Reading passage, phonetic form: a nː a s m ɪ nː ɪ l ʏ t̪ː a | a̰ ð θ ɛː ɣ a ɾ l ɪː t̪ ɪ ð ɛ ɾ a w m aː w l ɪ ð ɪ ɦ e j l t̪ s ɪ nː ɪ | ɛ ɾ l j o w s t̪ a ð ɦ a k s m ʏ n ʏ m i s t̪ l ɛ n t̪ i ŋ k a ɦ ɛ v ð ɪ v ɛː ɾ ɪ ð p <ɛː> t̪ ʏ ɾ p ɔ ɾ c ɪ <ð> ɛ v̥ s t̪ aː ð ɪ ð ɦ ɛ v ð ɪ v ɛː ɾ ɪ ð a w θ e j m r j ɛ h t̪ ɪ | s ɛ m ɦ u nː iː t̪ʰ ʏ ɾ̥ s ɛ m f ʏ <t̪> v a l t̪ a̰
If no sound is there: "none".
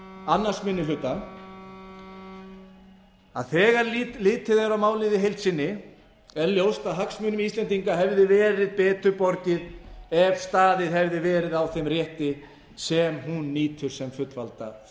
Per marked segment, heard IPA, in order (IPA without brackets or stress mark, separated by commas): ɛː, ð, t̪